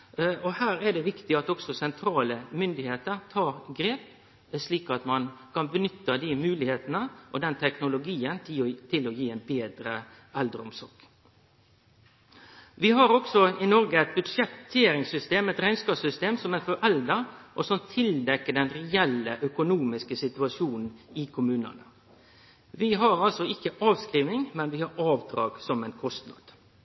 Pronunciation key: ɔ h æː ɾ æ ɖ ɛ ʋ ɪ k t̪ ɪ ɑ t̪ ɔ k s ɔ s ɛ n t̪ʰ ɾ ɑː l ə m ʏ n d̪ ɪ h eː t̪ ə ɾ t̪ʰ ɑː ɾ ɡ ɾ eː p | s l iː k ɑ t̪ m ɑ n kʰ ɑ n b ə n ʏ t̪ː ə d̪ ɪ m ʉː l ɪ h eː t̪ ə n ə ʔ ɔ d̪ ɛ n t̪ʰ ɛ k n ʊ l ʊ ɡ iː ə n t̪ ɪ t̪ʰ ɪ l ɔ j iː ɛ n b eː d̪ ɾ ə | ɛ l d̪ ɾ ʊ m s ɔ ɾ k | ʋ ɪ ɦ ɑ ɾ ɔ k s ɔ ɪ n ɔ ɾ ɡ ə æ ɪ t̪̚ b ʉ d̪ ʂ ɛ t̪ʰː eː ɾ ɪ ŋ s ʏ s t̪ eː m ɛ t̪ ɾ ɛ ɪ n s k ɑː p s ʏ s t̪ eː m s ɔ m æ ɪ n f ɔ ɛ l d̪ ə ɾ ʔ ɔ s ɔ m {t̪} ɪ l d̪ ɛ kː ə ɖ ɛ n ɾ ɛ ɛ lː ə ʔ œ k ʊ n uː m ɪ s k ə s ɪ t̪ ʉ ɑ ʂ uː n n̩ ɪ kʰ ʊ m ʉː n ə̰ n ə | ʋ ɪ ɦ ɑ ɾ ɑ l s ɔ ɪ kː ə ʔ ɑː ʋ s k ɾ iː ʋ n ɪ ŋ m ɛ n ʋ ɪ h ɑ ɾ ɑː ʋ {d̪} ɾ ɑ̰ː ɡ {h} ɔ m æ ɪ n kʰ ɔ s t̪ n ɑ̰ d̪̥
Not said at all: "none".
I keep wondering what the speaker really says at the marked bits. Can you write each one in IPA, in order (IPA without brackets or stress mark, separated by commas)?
t̪ʰ, d̪, s